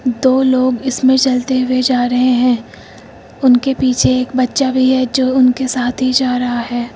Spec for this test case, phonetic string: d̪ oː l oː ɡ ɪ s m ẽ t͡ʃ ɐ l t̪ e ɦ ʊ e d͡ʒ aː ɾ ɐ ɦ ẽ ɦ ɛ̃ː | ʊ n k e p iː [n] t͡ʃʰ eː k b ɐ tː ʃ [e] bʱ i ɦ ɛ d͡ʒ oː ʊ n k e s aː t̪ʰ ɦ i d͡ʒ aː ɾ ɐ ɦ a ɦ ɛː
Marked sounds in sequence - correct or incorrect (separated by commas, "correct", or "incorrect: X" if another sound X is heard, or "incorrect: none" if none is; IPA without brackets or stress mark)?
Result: incorrect: none, incorrect: a